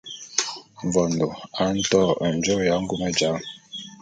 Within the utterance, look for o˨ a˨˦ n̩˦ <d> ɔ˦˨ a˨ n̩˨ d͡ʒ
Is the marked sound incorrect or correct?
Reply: incorrect